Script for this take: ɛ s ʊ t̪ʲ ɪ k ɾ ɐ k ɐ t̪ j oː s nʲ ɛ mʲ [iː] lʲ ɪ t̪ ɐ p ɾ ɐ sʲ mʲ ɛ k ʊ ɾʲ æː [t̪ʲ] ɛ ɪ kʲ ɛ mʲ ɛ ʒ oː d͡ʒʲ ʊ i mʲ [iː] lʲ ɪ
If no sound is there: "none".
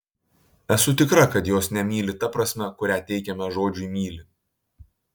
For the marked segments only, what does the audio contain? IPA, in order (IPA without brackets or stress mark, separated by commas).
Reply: iː, t̪ʲ, iː